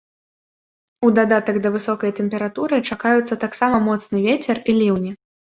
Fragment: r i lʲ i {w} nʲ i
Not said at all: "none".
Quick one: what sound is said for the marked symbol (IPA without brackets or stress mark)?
w